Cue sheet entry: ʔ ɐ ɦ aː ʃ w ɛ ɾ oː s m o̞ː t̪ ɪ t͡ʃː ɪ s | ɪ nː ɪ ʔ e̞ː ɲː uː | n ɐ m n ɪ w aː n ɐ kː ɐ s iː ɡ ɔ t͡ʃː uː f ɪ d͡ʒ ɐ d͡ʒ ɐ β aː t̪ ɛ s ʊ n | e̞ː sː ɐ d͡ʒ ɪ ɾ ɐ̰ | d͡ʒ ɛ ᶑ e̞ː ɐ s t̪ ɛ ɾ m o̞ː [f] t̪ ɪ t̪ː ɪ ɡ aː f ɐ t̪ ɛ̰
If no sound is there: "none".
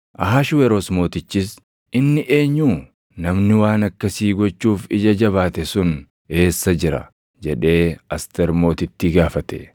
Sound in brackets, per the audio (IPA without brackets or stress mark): none